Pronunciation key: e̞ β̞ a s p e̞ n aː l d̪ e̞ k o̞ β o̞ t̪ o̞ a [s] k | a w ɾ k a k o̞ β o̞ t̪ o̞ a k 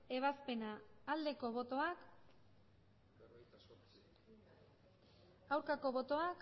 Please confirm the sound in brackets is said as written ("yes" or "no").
no